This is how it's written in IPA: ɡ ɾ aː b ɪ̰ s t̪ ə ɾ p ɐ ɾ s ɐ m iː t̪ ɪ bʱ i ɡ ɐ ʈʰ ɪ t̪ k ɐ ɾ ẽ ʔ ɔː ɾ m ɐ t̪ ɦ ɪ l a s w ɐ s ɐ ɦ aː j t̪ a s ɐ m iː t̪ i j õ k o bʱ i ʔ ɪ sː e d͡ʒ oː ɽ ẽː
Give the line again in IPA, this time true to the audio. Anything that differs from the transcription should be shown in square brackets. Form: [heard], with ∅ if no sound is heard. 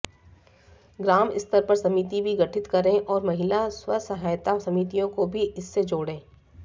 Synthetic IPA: ɡ ɾ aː [m] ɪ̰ s t̪ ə ɾ p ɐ ɾ s ɐ m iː t̪ [i] bʱ i ɡ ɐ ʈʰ ɪ t̪ k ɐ ɾ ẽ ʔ ɔː ɾ m ɐ [∅] ɦ ɪ l a s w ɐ s ɐ ɦ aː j t̪ a s ɐ m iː t̪ i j õ k o bʱ i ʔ ɪ sː e d͡ʒ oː ɽ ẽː